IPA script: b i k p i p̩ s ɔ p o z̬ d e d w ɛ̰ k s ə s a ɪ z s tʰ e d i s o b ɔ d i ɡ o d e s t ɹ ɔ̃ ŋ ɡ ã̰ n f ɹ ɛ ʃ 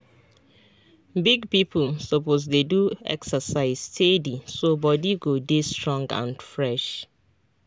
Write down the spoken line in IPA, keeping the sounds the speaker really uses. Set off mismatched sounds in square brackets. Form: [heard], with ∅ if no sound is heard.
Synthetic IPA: b i [ɡ] p i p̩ s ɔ p o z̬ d e d [u] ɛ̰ k s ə s a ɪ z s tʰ e d i s o b ɔ d i ɡ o d e s t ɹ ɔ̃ ŋ ɡ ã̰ n f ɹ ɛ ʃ